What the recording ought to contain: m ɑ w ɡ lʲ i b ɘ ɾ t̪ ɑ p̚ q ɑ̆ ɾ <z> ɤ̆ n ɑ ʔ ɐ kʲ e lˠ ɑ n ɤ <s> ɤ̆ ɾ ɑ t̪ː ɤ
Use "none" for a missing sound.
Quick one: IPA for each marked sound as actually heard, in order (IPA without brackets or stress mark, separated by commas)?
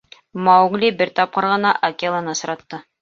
ʁ, s